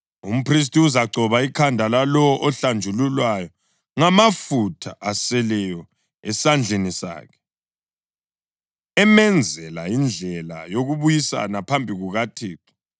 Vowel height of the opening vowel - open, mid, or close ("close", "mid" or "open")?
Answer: close